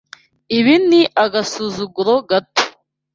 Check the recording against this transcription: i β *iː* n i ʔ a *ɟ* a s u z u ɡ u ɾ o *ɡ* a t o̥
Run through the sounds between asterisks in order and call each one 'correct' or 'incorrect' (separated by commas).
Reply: incorrect, incorrect, correct